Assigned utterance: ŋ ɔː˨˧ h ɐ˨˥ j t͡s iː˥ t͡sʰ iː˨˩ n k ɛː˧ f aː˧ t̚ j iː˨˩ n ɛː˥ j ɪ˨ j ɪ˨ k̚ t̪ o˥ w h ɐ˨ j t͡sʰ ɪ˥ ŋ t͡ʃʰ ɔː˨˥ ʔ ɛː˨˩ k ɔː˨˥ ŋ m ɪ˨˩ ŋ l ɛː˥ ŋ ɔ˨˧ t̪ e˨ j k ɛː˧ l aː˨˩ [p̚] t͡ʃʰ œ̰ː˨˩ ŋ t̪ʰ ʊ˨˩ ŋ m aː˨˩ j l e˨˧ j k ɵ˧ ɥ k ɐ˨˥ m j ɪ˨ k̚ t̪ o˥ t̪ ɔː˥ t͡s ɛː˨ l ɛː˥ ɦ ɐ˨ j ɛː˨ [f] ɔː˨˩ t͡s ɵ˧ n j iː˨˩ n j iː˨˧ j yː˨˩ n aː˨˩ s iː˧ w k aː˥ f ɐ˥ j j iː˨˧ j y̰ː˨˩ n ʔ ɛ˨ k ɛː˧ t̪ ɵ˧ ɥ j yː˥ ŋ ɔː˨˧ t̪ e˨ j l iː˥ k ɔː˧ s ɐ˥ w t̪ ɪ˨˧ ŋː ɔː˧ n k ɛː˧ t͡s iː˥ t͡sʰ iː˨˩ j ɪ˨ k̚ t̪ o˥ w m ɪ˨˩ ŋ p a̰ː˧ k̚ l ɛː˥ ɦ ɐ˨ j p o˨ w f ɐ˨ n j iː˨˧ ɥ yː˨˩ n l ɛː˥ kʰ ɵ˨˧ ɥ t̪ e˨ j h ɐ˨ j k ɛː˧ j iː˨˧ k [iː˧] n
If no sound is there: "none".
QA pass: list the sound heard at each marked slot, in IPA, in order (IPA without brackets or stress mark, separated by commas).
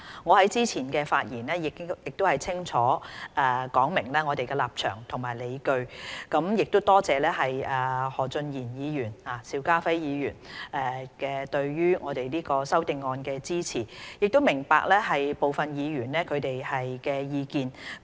p̚, h, iː˧